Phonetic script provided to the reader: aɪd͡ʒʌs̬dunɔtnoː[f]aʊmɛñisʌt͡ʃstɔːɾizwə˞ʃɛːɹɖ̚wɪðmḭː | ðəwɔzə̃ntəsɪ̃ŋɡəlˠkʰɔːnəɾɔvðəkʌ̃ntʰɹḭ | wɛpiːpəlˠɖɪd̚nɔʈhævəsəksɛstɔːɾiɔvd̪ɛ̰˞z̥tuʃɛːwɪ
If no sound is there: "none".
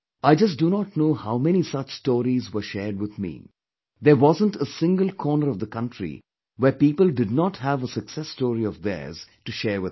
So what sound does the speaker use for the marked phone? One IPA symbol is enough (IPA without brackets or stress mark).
h